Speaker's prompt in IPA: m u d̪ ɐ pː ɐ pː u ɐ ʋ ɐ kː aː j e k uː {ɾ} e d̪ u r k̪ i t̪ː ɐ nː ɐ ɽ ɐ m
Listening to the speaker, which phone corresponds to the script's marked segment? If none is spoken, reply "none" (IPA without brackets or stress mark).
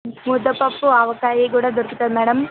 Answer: ɽ